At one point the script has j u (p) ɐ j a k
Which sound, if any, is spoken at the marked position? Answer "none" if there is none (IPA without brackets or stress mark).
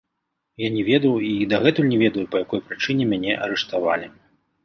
p